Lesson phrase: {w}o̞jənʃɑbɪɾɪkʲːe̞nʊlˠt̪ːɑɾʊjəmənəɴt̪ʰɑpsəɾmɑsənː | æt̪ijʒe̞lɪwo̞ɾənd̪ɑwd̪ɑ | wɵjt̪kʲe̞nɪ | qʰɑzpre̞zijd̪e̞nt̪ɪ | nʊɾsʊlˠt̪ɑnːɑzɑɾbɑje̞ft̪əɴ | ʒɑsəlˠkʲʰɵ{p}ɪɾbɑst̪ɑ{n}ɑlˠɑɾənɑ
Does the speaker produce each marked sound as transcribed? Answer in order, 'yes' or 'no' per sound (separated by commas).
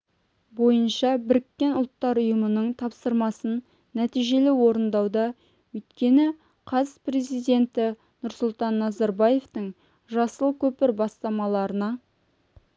no, yes, no